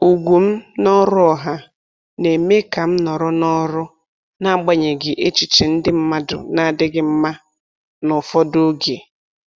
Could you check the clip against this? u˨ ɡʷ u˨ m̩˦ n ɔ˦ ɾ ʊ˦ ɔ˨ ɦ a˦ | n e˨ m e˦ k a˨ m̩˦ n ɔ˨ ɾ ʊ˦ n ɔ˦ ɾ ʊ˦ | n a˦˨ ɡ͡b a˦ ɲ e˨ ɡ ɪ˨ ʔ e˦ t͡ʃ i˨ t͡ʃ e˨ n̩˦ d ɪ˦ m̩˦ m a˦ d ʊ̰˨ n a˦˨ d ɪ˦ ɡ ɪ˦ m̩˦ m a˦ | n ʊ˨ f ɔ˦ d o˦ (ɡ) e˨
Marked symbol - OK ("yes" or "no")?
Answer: yes